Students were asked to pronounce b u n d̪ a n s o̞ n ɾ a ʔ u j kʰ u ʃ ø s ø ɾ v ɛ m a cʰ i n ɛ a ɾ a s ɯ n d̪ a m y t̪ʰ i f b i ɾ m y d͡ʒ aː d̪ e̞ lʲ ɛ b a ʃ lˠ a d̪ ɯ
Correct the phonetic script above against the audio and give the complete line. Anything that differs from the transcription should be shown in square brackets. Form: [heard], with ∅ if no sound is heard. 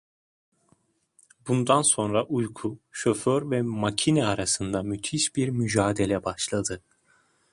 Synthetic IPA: b u n d̪ a n s o̞ n ɾ a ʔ u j kʰ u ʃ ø [f] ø ɾ v ɛ m a cʰ i n ɛ a ɾ a s ɯ n d̪ a m y t̪ʰ i [ʃ] b i ɾ m y d͡ʒ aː d̪ e̞ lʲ ɛ b a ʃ lˠ a d̪ ɯ